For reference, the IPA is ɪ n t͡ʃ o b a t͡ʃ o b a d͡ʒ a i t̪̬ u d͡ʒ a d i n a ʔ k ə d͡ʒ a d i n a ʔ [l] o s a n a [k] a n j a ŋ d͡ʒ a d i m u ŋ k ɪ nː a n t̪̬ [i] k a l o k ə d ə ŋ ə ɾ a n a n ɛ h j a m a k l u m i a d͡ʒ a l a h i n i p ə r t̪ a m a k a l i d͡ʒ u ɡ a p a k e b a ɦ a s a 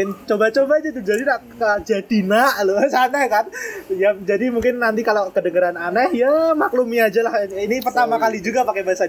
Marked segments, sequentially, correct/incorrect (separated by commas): correct, correct, correct